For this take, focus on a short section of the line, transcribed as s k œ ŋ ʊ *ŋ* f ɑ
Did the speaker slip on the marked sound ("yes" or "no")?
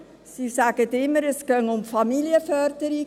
yes